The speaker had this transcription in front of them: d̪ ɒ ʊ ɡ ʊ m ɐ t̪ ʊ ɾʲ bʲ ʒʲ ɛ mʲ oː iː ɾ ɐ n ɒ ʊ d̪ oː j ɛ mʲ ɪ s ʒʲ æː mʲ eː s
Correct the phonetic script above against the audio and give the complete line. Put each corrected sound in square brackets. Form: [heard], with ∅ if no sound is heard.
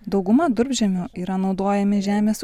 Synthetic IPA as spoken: d̪ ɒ ʊ ɡ ʊ m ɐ [d̪] ʊ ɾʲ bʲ ʒʲ ɛ mʲ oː iː ɾ ɐ n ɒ ʊ d̪ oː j ɛ mʲ ɪ [∅] ʒʲ æː mʲ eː s

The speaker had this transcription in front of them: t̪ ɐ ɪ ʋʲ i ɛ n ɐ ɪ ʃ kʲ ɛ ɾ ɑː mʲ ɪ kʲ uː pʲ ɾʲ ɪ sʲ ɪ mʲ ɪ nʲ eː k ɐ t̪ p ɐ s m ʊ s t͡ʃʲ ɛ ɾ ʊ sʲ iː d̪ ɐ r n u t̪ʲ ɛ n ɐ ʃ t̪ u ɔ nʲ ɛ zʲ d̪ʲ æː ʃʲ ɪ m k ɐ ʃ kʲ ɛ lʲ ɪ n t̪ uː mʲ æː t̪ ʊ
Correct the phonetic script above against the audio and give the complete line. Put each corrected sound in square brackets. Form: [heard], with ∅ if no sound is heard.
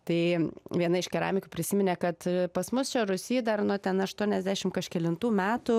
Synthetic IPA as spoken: t̪ ɐ ɪ ʋʲ i ɛ n ɐ ɪ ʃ kʲ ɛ ɾ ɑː mʲ ɪ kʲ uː pʲ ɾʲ ɪ sʲ ɪ mʲ ɪ nʲ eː k ɐ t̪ p ɐ s m ʊ s t͡ʃʲ ɛ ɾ ʊ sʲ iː d̪ ɐ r n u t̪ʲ ɛ n ɐ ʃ t̪ u ɔ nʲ ɛ zʲ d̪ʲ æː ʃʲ ɪ m k ɐ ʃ kʲ ɛ lʲ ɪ n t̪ uː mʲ æː t̪ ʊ

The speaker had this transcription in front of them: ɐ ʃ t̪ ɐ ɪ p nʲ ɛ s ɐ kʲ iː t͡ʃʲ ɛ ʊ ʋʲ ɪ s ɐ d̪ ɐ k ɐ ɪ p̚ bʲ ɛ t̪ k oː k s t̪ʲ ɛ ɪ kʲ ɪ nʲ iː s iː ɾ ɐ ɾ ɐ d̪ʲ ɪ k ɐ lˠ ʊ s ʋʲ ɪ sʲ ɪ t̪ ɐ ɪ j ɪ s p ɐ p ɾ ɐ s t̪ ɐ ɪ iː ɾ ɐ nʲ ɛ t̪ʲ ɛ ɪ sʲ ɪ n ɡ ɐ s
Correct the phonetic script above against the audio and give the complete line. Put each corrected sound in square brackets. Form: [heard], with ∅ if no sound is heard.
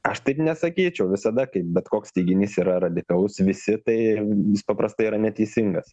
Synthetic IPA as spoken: ɐ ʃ t̪ ɐ ɪ p nʲ ɛ s ɐ kʲ iː t͡ʃʲ ɛ ʊ ʋʲ ɪ s ɐ d̪ ɐ k ɐ ɪ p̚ bʲ ɛ t̪ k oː k s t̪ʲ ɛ ɪ [ɡʲ] ɪ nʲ iː s iː ɾ ɐ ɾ ɐ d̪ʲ ɪ k ɐ lˠ ʊ s ʋʲ ɪ sʲ ɪ t̪ ɐ ɪ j ɪ s p ɐ p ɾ ɐ s t̪ ɐ ɪ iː ɾ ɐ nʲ ɛ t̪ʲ ɛ ɪ sʲ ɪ [ŋ] ɡ ɐ s

